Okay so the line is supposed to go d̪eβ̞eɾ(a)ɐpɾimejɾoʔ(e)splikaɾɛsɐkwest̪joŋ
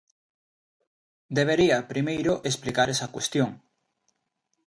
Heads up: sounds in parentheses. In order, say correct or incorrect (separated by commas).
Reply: incorrect, correct